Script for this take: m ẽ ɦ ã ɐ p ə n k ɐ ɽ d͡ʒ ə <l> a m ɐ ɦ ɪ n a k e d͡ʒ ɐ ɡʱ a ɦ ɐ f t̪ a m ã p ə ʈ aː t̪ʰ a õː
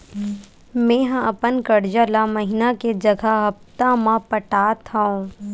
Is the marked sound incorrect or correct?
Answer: correct